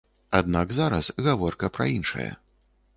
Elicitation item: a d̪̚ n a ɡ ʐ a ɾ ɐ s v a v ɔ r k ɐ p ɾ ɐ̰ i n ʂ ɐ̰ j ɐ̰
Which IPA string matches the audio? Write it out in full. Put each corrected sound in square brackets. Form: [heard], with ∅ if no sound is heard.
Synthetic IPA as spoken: a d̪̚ n a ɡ [z] a ɾ ɐ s [ɣ] a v ɔ r k ɐ p ɾ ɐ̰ i n ʂ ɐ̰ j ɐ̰